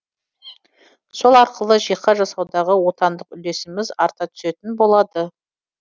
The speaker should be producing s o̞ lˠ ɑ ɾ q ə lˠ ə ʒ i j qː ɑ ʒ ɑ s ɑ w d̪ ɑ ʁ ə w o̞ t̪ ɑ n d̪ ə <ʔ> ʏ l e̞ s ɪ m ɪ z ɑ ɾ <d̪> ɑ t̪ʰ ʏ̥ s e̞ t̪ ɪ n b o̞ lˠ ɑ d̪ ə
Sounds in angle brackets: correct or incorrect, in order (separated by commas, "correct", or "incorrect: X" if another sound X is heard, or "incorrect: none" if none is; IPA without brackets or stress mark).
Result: incorrect: q, incorrect: t̪